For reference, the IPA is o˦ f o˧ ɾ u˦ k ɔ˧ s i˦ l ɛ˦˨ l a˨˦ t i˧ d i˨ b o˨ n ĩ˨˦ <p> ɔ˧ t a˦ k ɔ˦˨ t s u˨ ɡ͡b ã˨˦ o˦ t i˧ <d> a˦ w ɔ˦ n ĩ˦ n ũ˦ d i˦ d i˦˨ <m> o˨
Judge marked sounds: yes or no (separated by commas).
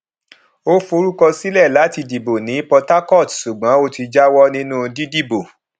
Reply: yes, no, no